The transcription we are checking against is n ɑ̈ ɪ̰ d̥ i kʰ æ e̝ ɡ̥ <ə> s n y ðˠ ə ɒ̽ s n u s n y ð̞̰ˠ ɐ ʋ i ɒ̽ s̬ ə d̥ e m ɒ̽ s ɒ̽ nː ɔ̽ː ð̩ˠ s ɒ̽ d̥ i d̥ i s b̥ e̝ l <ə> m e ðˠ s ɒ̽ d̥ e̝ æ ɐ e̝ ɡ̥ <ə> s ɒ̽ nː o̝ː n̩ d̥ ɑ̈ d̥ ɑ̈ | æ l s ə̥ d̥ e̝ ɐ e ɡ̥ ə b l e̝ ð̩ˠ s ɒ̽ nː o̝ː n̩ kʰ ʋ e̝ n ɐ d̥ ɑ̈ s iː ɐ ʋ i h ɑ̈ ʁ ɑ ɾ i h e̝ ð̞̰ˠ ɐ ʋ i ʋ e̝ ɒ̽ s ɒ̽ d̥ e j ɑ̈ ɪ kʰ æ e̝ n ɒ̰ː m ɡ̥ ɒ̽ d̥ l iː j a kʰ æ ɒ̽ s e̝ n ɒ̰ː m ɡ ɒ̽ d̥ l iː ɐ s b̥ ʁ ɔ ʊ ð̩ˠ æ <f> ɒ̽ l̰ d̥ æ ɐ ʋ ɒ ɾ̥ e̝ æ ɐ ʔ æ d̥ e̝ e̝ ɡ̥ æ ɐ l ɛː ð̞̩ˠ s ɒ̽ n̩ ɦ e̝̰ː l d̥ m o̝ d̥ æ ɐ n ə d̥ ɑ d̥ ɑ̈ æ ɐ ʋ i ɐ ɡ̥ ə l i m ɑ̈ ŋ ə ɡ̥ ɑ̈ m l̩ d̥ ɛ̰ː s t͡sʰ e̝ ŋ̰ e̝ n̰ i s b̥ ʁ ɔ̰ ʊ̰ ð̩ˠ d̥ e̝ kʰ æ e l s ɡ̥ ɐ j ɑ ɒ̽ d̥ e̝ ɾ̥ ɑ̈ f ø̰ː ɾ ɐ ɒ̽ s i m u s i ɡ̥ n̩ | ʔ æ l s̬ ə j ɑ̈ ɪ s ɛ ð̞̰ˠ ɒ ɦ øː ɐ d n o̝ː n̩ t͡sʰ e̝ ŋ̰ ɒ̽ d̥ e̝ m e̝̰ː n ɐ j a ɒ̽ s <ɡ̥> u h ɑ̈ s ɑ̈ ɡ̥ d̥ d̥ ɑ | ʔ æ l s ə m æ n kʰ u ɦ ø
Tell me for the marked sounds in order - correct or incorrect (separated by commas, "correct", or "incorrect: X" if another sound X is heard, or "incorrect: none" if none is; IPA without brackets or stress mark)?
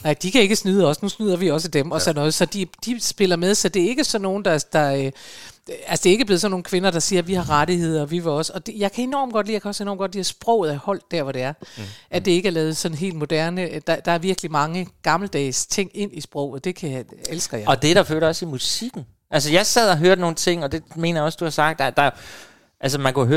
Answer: correct, incorrect: ɐ, correct, incorrect: h, incorrect: d̥